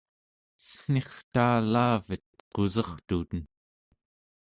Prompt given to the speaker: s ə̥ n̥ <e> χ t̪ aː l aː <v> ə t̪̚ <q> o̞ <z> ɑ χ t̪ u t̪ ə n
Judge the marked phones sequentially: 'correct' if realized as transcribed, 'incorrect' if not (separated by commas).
correct, correct, correct, correct